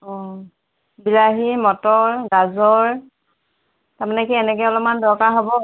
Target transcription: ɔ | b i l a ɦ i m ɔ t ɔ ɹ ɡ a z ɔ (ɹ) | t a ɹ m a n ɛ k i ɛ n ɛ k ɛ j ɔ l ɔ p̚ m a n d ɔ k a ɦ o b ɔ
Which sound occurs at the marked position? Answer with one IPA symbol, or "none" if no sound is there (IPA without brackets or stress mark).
ɹ